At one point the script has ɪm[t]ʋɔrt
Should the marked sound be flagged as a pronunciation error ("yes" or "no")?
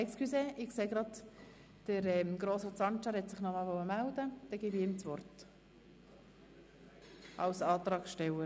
yes